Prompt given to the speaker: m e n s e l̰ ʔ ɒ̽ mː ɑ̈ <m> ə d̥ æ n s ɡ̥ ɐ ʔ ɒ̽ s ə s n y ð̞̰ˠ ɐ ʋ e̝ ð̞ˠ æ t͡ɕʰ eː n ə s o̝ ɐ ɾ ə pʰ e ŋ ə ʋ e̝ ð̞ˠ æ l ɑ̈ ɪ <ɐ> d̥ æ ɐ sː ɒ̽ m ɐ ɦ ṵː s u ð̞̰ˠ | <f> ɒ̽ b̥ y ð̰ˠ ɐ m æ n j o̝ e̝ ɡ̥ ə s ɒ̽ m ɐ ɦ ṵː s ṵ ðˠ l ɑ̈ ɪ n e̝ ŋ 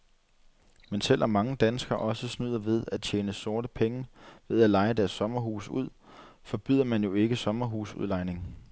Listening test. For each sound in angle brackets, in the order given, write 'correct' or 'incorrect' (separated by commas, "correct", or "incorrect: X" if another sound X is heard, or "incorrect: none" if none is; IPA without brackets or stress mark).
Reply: incorrect: ŋ, incorrect: ə, correct